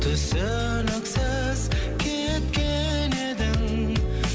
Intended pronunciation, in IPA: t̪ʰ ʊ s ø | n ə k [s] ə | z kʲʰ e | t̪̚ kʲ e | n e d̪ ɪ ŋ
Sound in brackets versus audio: correct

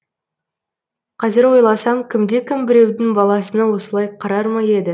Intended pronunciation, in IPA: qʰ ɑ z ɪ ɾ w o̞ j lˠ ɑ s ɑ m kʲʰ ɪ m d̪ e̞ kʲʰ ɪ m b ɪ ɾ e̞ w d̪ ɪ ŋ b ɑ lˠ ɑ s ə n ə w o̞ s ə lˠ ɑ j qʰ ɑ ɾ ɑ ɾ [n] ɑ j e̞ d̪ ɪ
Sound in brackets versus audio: incorrect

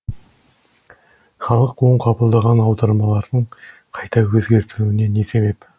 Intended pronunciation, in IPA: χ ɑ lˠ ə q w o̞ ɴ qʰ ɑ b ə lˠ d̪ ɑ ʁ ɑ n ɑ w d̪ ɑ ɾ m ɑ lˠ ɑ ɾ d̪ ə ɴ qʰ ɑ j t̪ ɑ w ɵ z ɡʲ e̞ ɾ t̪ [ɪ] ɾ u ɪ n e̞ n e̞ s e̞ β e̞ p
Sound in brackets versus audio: correct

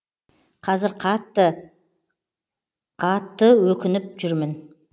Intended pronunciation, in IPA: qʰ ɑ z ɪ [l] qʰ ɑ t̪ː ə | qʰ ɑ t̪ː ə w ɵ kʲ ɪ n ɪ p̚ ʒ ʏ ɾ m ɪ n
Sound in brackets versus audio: incorrect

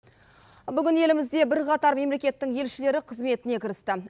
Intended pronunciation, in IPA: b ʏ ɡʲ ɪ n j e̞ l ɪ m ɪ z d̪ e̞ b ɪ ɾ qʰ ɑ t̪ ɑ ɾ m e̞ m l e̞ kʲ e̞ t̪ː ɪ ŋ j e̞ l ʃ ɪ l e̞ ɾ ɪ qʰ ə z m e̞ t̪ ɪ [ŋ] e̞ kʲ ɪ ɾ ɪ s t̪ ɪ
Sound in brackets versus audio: incorrect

